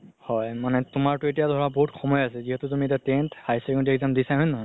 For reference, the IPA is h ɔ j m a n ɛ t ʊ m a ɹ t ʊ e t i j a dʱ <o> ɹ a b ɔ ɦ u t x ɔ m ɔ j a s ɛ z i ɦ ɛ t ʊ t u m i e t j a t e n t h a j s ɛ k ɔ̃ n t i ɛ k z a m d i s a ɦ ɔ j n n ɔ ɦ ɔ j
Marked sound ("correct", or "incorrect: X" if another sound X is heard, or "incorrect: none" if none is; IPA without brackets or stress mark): incorrect: ɔ